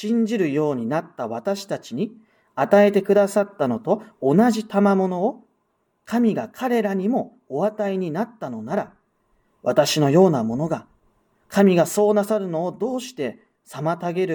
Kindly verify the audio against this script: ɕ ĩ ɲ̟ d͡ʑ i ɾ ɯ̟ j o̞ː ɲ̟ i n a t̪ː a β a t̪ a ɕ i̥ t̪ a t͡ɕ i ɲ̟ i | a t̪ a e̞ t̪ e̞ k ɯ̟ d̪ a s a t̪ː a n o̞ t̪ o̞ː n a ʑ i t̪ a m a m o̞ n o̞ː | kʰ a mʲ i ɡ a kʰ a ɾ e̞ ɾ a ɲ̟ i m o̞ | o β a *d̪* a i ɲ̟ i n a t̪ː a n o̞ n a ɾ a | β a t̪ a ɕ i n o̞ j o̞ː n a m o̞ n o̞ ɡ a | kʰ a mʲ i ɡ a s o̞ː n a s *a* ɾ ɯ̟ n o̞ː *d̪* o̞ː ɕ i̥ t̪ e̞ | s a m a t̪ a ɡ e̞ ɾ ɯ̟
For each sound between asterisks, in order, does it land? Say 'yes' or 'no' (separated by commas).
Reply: no, yes, yes